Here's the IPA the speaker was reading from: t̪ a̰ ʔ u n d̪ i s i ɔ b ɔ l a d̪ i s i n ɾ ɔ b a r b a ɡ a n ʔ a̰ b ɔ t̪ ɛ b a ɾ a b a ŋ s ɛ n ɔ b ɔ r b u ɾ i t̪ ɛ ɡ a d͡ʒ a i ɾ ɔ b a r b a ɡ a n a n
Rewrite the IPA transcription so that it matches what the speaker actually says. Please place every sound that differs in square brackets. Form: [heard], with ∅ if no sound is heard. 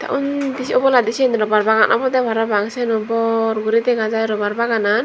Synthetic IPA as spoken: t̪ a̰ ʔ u n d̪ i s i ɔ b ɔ l a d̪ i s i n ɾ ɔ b a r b a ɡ a n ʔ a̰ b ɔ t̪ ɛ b a ɾ a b a ŋ s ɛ n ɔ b ɔ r [ɡ] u ɾ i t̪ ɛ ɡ a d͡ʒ a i ɾ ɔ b a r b a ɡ a n a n